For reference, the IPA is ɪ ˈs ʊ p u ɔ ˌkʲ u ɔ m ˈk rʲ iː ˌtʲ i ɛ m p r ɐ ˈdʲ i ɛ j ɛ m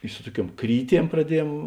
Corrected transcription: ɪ ˈs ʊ t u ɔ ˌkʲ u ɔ m ˈk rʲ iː ˌtʲ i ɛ m p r ɐ ˈdʲ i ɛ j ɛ m